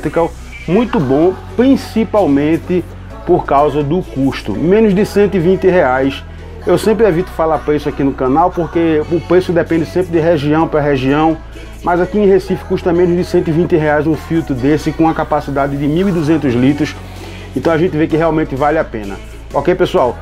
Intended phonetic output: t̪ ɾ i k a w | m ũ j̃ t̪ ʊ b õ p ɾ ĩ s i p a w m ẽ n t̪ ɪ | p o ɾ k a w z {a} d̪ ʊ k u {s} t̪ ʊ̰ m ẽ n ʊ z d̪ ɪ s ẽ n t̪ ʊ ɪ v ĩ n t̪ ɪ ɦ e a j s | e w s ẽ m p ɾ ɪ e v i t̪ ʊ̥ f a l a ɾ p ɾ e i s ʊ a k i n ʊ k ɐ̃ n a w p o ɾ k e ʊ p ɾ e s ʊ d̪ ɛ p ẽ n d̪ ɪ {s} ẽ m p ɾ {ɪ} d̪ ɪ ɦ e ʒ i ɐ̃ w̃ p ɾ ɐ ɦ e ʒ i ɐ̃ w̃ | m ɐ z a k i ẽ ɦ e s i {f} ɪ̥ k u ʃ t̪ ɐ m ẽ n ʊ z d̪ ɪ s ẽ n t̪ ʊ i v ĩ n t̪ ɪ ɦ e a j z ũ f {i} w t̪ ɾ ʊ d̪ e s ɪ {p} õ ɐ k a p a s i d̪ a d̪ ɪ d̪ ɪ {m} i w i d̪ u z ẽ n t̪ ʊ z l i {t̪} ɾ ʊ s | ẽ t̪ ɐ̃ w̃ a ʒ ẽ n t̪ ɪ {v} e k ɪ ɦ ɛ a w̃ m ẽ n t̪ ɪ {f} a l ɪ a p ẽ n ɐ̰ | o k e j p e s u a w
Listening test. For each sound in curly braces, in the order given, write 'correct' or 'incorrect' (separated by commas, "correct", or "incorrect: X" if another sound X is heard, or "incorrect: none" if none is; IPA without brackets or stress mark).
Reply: incorrect: ɐ, incorrect: ʃ, correct, correct, correct, correct, incorrect: k, correct, correct, correct, incorrect: v